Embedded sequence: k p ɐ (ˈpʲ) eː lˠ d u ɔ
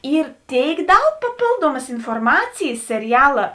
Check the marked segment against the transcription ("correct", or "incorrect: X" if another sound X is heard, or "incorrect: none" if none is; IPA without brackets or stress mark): correct